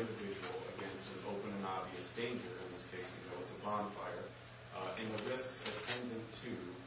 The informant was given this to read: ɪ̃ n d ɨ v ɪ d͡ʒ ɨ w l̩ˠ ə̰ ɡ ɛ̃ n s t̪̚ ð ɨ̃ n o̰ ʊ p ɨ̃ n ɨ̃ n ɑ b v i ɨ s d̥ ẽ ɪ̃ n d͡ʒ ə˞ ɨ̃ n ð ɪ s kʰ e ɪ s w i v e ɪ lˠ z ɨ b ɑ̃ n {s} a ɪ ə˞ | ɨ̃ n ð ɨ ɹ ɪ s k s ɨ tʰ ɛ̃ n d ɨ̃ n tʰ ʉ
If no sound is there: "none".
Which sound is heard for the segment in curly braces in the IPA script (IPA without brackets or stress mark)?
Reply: f